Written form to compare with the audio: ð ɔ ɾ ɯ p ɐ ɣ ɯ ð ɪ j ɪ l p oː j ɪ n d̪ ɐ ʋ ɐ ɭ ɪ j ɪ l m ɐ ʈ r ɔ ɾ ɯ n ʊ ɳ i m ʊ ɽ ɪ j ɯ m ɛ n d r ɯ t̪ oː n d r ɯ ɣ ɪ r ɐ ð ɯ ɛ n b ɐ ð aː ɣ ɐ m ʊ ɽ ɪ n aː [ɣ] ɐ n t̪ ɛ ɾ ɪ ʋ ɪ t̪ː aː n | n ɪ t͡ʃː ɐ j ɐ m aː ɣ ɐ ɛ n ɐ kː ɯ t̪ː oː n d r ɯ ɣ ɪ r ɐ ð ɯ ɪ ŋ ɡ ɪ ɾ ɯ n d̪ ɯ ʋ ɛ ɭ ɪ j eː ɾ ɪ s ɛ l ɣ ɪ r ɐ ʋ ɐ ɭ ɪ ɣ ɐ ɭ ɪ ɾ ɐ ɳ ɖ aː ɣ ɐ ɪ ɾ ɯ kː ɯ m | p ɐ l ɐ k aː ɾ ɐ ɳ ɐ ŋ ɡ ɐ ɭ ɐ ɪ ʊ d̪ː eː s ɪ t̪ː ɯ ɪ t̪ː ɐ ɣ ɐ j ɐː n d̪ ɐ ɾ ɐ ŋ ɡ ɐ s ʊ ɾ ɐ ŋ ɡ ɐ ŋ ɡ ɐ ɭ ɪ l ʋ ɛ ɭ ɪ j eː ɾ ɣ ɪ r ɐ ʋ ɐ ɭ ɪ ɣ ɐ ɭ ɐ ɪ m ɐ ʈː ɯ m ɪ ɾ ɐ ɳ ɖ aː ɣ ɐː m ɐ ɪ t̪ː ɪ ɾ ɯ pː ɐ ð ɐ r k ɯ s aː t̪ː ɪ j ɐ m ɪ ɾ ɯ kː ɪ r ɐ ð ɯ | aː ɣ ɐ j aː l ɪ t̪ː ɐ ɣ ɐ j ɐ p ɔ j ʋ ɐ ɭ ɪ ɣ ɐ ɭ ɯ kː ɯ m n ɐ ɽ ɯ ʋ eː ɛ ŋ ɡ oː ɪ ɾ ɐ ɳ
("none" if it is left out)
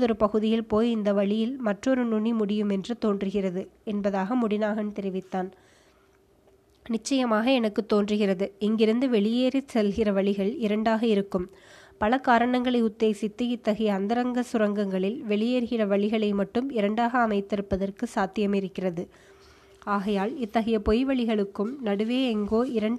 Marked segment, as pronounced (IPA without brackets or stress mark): ɣ